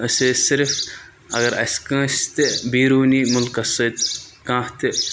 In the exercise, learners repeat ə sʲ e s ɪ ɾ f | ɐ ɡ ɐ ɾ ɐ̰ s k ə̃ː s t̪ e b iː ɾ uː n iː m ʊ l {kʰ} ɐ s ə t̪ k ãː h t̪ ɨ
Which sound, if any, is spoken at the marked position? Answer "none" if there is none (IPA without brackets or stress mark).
k